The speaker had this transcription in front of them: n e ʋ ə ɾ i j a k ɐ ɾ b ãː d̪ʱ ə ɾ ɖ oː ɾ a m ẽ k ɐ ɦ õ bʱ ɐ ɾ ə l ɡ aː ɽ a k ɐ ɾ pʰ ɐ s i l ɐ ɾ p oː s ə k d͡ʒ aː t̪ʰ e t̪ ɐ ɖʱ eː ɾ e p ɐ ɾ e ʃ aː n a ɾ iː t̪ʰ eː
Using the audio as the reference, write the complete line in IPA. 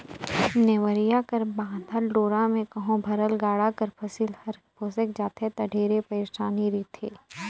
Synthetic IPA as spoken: n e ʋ ə ɾ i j a k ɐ ɾ b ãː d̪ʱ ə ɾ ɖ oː ɾ a m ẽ k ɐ ɦ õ bʱ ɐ ɾ ə l ɡ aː ɽ a k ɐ ɾ pʰ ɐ s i l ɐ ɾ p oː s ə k d͡ʒ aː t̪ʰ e t̪ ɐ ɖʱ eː ɾ e p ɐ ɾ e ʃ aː n i ɾ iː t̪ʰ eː